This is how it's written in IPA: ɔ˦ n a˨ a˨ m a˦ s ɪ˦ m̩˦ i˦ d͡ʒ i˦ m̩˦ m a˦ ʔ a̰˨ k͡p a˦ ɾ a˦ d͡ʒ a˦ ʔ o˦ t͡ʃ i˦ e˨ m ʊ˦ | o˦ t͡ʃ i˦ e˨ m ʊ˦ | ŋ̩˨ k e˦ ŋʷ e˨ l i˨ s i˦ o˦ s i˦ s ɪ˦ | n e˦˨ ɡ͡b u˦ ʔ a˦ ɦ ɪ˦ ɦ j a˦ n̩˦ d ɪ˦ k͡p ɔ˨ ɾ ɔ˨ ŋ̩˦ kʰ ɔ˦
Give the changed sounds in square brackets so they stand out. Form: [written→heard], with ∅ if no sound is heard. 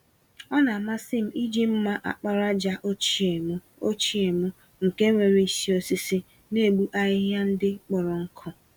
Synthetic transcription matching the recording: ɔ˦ n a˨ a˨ m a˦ s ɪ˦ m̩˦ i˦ d͡ʒ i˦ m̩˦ m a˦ ʔ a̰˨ k͡p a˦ ɾ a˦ d͡ʒ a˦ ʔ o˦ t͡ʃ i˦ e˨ m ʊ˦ | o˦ t͡ʃ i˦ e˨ m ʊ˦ | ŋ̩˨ k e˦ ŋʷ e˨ [l→ɾ] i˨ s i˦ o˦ s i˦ s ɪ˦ | n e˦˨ ɡ͡b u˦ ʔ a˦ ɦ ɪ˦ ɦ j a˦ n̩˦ d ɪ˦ k͡p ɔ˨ ɾ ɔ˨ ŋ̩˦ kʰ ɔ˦